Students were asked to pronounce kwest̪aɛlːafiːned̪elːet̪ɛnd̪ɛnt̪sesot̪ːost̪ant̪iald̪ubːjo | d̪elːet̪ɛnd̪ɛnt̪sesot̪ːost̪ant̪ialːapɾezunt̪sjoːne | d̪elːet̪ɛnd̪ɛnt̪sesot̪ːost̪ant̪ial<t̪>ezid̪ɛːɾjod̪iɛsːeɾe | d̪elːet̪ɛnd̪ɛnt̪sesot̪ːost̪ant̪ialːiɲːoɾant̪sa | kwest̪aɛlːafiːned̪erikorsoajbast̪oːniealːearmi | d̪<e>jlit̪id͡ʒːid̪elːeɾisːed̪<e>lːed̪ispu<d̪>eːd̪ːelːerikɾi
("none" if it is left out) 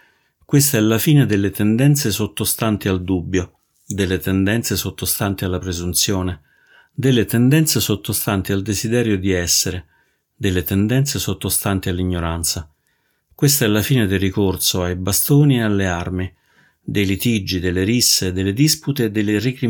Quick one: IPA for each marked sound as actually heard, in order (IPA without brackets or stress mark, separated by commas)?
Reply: d̪, e, e, t̪